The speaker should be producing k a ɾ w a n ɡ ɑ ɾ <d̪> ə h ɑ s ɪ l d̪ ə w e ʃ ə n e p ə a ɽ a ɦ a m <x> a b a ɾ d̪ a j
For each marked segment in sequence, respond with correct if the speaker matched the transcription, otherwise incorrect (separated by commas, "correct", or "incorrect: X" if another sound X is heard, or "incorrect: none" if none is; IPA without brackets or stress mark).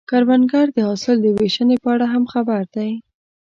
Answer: correct, correct